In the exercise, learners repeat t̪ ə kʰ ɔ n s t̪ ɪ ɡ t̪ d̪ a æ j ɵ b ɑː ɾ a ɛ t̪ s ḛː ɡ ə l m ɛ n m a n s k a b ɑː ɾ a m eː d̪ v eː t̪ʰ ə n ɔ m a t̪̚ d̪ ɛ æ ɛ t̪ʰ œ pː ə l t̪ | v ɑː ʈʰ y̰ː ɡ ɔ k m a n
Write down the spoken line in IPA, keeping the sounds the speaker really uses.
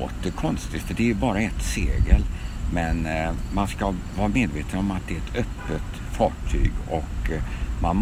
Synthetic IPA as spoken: t̪ ə kʰ ɔ n s t̪ ɪ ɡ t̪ d̪ ɛ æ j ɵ b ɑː ɾ a ɛ t̪ s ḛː ɡ ə l m ɛ n m a n s k a v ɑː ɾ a m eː d̪ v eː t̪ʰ ə n ɔ m a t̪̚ d̪ ɛ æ ɛ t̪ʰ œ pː ə t̪ | f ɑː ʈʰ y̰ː ɡ ɔ k m a n